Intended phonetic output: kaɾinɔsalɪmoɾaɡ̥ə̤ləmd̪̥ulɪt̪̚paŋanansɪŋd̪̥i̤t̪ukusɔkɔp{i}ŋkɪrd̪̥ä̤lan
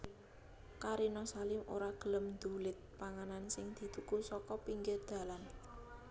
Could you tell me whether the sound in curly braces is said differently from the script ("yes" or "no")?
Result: no